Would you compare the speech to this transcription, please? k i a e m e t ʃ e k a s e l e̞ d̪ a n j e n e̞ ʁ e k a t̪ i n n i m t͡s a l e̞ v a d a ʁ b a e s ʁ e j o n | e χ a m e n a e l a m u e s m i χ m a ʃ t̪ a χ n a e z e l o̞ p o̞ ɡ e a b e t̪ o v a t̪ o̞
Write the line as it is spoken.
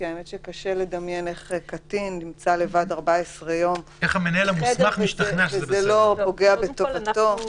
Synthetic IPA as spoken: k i a e m e t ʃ e k a ʃ e l e̞ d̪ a m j e n e̞ χ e k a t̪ i n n i m t͡s a l e̞ v a d a ʁ b a e s ʁ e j o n | e χ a m e n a e l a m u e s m a χ m i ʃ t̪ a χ n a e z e l o̞ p o̞ ɡ e a b e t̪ o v a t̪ o̞